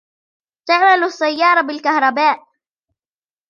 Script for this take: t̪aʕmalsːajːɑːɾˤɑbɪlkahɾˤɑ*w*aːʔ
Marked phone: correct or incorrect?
incorrect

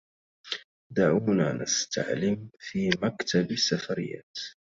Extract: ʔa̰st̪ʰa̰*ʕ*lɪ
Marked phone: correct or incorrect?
correct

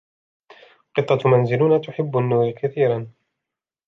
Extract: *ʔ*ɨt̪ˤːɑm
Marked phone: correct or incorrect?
incorrect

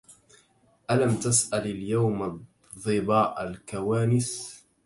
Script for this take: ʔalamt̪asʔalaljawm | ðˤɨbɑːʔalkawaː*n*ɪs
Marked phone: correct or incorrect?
correct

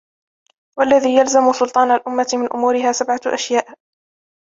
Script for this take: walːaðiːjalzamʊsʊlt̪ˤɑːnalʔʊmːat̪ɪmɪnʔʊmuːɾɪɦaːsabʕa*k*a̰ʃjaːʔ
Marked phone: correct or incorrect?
incorrect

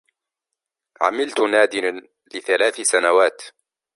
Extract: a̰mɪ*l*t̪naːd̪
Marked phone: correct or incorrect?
correct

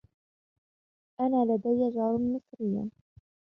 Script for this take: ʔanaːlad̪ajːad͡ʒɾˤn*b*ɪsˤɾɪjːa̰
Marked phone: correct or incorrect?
incorrect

